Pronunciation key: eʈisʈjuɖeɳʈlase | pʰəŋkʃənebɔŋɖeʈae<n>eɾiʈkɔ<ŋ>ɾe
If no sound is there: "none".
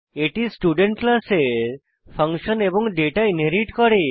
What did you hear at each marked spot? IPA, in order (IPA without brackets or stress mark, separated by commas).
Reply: n, none